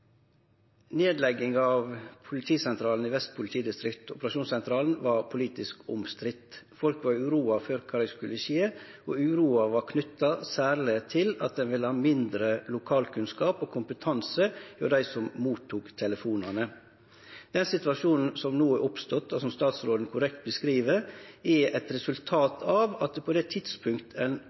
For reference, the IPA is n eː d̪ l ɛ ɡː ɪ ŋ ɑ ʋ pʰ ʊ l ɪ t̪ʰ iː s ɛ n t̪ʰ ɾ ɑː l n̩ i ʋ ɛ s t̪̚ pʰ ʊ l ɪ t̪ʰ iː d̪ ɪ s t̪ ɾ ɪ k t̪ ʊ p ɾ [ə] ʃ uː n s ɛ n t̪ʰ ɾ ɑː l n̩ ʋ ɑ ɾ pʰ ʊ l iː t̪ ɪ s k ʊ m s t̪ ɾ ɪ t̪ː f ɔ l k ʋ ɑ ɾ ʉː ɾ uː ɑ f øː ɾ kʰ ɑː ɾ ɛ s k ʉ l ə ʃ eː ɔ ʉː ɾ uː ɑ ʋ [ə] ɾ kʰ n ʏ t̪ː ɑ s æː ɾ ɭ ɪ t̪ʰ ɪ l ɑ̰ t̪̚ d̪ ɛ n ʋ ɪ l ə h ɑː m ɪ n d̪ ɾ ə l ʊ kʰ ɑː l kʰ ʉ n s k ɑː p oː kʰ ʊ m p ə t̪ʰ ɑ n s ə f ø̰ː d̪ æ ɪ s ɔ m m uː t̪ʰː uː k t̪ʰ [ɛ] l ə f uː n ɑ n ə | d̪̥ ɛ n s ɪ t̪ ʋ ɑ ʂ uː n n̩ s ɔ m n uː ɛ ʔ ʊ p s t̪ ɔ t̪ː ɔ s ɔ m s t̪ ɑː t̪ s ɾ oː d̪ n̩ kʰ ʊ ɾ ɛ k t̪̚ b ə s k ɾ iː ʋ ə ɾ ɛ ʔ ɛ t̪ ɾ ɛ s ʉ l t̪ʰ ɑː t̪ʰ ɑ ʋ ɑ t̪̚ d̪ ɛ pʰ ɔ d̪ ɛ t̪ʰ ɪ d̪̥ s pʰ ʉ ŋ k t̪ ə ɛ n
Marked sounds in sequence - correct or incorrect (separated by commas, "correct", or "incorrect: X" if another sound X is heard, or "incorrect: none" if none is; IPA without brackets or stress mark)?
incorrect: ɑ, incorrect: ɑ, correct